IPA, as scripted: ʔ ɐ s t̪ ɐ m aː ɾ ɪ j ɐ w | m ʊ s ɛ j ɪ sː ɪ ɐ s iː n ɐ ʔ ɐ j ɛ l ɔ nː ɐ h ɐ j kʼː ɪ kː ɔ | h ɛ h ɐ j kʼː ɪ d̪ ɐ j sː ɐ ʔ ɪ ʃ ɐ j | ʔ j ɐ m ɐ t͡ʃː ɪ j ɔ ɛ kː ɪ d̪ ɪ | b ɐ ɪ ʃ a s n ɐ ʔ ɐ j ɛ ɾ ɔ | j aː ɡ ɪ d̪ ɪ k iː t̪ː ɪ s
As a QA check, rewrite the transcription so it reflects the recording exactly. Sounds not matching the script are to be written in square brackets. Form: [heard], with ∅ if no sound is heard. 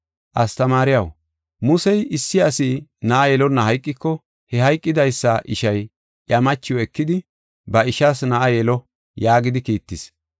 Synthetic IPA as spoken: ʔ ɐ s t̪ ɐ m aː ɾ ɪ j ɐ w | m ʊ s ɛ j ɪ sː ɪ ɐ s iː n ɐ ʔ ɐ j ɛ l ɔ nː ɐ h ɐ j kʼː ɪ kː ɔ | h ɛ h ɐ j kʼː ɪ d̪ ɐ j sː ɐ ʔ ɪ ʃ ɐ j | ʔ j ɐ m ɐ t͡ʃː ɪ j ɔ ɛ kː ɪ d̪ ɪ | b ɐ ɪ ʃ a s n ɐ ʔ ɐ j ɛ [l] ɔ | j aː ɡ ɪ d̪ ɪ k iː t̪ː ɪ s